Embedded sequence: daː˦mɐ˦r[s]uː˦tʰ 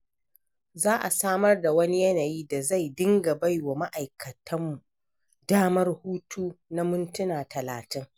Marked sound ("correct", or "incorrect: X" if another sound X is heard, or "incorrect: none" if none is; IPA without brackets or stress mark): incorrect: h